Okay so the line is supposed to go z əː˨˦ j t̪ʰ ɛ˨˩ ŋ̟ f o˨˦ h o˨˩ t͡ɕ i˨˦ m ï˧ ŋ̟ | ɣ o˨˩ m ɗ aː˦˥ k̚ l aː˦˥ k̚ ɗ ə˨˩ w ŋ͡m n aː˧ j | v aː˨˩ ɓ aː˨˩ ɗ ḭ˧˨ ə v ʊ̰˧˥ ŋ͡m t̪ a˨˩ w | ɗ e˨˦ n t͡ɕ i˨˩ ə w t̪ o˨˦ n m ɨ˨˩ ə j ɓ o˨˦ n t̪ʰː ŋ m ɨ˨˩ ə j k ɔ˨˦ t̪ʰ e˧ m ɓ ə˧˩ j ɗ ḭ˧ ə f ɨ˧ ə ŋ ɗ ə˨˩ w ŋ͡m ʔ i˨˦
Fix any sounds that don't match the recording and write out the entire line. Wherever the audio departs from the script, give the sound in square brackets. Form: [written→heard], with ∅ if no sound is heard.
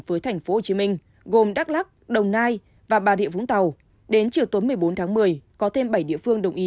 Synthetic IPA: [z→v] əː˨˦ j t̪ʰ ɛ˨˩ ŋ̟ f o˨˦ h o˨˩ t͡ɕ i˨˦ m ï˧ ŋ̟ | ɣ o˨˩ m ɗ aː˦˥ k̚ l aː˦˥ k̚ ɗ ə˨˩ w ŋ͡m n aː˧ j | v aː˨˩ ɓ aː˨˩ ɗ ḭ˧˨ ə v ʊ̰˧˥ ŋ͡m t̪ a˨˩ w | ɗ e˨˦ n t͡ɕ i˨˩ ə w t̪ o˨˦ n m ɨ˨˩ ə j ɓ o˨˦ n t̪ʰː ŋ m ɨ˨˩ ə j k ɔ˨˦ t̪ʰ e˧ m ɓ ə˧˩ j ɗ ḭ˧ ə f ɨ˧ ə ŋ ɗ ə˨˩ w ŋ͡m ʔ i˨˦